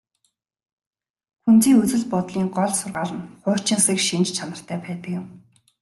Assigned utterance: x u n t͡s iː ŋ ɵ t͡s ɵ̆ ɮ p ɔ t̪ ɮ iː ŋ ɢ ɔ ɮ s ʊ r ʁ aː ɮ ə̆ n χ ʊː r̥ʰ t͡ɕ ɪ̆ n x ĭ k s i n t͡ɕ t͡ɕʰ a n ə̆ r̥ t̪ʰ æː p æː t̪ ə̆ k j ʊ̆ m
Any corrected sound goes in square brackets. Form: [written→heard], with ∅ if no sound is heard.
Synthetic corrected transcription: x u n t͡s iː ŋ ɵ t͡s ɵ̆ ɮ p ɔ t̪ ɮ iː ŋ ɢ ɔ ɮ s ʊ r ʁ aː ɮ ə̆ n χ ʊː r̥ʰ t͡ɕ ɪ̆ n [x→s] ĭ k [s→ʃ] i n t͡ɕ t͡ɕʰ a n ə̆ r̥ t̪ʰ æː p æː t̪ ə̆ k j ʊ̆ m

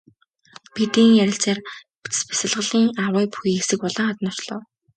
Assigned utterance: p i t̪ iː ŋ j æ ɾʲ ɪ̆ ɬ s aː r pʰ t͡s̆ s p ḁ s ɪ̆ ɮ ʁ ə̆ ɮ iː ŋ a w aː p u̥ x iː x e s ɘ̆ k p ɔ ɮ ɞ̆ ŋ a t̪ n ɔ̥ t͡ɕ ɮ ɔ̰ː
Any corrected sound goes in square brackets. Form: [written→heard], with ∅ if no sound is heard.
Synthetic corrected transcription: p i t̪ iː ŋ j æ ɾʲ ɪ̆ ɬ [s→t͡s] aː r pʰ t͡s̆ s p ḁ s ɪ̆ ɮ ʁ ə̆ ɮ iː ŋ a w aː p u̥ x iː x e s ɘ̆ k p ɔ ɮ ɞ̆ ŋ a t̪ n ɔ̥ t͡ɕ ɮ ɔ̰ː

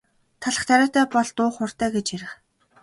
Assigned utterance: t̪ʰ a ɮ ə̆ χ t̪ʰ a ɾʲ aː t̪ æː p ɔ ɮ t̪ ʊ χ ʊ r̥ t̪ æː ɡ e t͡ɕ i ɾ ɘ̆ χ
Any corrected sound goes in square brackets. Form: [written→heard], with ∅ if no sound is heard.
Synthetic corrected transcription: t̪ʰ a ɮ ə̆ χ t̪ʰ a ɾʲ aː t̪ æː p ɔ ɮ t̪ [ʊ→ʊː] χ ʊ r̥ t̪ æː ɡ e t͡ɕ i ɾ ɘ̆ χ

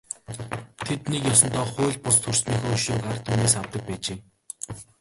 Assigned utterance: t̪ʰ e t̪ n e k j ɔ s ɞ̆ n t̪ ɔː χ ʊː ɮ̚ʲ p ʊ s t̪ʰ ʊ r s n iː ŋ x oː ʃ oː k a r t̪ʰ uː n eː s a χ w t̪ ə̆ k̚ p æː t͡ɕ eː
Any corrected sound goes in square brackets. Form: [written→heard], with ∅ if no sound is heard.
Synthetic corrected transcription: t̪ʰ e t̪ n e k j ɔ s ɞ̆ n t̪ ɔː χ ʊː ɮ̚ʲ p ʊ s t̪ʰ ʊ r s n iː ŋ x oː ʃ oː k a r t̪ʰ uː n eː s a [χ→∅] w t̪ ə̆ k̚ p æː t͡ɕ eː

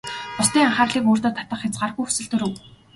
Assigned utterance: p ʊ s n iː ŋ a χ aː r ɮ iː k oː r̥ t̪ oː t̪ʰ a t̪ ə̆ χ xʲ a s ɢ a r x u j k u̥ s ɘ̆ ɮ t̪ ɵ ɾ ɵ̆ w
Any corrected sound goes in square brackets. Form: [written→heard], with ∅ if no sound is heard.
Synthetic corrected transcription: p ʊ s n iː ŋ a χ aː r ɮ iː k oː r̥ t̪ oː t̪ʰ a t̪ ə̆ χ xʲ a [s→t͡s] ɢ a r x u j [k→x] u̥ s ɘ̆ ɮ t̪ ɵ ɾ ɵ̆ w

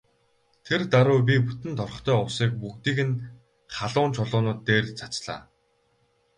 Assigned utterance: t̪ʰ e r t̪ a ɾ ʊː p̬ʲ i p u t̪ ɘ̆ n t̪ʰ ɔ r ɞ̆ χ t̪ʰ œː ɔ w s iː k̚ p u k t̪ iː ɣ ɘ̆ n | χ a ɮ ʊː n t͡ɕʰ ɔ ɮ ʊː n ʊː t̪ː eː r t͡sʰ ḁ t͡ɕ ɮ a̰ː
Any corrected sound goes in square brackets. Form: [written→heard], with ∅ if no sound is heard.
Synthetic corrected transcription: t̪ʰ e r t̪ a ɾ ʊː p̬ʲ i p u t̪ ɘ̆ n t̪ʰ ɔ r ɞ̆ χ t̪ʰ œː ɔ w s iː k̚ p u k t̪ iː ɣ ɘ̆ n | χ a ɮ ʊː n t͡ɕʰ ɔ ɮ ʊː n ʊː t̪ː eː r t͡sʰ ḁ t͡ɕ ɮ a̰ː

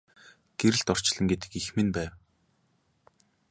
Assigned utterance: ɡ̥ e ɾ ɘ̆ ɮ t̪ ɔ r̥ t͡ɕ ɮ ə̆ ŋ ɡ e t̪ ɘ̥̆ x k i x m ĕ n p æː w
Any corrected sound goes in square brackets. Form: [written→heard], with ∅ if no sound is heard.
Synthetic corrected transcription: ɡ̥ e ɾ ɘ̆ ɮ t̪ ɔ r̥ t͡ɕ ɮ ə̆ ŋ ɡ e t̪ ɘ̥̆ [x→∅] k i x m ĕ n p æː w

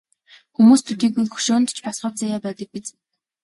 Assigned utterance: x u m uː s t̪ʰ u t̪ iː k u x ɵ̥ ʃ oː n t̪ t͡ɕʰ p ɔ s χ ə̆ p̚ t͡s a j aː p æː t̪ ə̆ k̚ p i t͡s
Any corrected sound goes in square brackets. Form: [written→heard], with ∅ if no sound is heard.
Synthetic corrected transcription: x u m uː s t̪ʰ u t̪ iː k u x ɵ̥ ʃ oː n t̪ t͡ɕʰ p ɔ s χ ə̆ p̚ t͡s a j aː p æː t̪ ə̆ k̚ p i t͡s

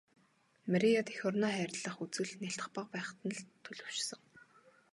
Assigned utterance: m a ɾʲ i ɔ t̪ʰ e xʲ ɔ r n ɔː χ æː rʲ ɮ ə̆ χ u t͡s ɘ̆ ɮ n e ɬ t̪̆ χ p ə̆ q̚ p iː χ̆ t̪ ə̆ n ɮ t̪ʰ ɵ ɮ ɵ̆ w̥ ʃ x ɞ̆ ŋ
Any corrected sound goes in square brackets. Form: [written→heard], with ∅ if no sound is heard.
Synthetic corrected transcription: m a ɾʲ i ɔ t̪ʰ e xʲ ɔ r n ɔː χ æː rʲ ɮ ə̆ χ u t͡s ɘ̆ ɮ n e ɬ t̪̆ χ p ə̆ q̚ p [iː→æː] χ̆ t̪ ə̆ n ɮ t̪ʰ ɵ ɮ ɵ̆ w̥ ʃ [x→s] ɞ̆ ŋ

